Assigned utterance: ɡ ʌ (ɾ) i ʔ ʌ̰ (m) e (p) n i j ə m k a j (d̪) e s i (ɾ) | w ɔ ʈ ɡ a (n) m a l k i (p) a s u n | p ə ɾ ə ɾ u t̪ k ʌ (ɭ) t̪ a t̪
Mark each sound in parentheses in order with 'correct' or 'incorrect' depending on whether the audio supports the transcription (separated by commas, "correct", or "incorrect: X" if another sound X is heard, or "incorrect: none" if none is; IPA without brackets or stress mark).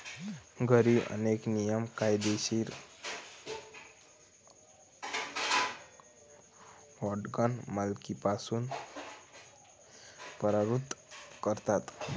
correct, incorrect: n, incorrect: k, correct, correct, correct, correct, incorrect: ɾ